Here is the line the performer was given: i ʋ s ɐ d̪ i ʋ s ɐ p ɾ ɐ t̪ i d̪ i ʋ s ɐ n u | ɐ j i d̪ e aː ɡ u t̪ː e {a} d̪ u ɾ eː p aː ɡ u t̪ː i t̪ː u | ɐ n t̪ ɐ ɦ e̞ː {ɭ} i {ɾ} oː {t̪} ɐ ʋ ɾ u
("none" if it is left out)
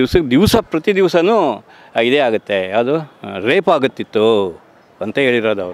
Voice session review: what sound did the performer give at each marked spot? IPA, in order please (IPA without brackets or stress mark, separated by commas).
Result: ɐ, ɭ, ɾ, d̪